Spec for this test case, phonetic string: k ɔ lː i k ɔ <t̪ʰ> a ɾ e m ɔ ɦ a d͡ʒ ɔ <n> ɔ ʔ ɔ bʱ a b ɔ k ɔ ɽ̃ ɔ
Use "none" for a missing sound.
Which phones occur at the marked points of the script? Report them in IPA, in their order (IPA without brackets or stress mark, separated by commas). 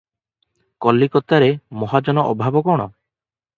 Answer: t̪, n